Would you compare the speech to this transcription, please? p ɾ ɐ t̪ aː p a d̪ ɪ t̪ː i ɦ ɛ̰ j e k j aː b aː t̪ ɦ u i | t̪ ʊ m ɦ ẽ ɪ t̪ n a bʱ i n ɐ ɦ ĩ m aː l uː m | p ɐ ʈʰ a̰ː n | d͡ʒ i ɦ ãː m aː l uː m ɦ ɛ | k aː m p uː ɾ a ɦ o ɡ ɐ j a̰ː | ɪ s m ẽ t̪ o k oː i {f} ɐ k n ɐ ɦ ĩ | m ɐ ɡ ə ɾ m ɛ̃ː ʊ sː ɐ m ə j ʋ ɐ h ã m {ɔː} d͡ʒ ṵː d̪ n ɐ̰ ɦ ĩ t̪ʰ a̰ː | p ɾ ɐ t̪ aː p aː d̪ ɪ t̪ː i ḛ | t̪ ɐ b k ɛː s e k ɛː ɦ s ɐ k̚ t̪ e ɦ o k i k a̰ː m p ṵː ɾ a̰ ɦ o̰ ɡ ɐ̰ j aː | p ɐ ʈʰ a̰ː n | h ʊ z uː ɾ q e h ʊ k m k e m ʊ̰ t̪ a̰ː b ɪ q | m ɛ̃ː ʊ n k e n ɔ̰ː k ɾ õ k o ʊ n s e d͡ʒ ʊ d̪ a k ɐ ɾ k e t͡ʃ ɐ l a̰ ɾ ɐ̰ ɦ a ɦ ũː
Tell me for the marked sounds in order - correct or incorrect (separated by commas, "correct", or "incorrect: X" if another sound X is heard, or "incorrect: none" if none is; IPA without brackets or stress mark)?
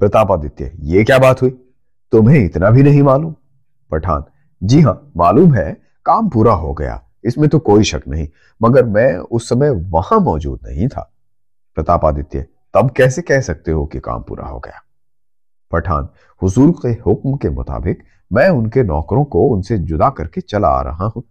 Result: incorrect: ʃ, correct